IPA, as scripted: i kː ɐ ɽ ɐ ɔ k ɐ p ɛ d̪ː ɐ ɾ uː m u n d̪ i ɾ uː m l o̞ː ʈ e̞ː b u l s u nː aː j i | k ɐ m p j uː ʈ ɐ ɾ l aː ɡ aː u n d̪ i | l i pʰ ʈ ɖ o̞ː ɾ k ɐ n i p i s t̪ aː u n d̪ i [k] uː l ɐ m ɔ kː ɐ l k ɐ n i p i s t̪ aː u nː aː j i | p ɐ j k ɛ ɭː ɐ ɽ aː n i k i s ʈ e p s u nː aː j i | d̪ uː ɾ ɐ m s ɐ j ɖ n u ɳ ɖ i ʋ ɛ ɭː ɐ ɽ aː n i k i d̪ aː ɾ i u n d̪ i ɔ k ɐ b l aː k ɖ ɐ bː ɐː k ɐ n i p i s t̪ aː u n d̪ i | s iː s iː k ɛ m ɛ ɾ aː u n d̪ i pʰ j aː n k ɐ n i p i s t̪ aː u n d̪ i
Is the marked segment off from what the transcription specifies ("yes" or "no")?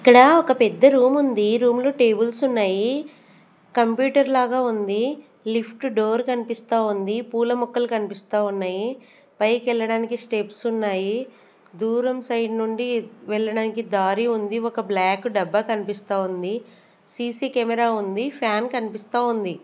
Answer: yes